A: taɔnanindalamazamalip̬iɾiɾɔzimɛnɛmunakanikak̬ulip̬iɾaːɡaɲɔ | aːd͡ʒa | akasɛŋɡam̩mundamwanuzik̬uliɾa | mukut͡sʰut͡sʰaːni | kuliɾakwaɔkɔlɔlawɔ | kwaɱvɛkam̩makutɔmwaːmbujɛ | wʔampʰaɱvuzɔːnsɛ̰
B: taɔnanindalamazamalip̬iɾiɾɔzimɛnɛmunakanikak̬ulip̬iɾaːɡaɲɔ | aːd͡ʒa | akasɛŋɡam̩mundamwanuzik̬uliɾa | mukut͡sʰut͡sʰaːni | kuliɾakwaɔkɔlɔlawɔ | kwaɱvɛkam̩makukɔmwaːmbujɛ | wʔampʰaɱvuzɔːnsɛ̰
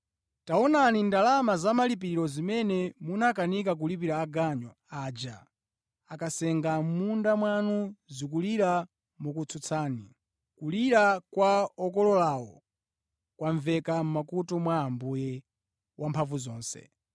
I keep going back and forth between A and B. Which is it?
A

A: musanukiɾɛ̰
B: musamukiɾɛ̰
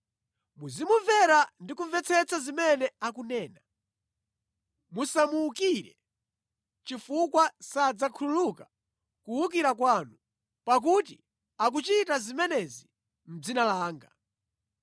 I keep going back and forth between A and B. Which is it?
B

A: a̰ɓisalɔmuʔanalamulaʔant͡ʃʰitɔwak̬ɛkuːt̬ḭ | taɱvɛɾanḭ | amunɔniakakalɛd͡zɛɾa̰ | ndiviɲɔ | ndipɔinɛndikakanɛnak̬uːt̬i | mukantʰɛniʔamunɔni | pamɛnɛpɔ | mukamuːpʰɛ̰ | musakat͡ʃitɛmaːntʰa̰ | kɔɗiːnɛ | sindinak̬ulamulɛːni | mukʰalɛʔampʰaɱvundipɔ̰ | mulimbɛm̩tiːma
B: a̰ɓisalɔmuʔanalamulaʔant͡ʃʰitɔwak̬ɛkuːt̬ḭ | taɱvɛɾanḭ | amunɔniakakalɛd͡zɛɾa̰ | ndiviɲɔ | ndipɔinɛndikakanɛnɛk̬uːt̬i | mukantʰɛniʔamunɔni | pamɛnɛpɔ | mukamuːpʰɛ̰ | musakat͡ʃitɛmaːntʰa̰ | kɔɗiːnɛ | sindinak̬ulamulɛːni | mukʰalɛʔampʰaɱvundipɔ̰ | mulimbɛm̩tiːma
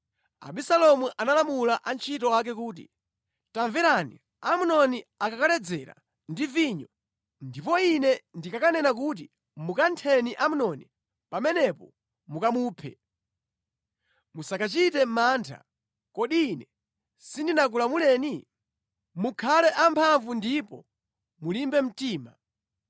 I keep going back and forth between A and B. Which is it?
A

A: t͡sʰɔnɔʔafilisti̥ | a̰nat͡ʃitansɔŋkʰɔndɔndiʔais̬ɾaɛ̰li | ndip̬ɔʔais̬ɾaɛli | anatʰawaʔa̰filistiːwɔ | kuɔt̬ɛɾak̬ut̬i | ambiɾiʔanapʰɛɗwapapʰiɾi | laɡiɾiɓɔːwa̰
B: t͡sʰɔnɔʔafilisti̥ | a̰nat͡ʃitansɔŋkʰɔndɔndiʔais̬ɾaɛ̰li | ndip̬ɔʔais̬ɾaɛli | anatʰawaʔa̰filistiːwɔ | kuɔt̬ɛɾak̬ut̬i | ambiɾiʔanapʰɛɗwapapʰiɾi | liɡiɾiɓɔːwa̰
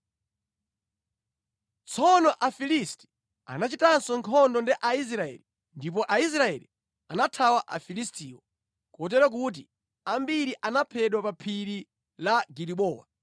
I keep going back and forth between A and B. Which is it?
A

